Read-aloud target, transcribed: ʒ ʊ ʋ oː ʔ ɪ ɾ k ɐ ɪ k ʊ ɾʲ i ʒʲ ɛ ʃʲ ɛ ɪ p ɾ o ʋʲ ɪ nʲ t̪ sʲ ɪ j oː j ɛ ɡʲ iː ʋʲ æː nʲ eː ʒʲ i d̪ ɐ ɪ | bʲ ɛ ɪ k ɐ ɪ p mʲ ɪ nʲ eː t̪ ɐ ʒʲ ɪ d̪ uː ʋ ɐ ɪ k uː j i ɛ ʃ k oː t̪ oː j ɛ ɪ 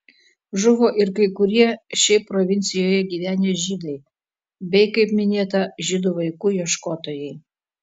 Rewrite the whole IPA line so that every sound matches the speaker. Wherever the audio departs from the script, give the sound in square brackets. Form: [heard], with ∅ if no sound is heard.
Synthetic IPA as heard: ʒ ʊ ʋ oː ʔ ɪ ɾ k ɐ ɪ k ʊ ɾʲ i [∅] ɛ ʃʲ ɛ ɪ p ɾ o ʋʲ ɪ nʲ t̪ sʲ ɪ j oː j ɛ ɡʲ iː ʋʲ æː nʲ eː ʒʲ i d̪ ɐ ɪ | bʲ ɛ ɪ k ɐ ɪ p mʲ ɪ nʲ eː t̪ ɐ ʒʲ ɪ d̪ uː ʋ ɐ ɪ k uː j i ɛ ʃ k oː t̪ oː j ɛ ɪ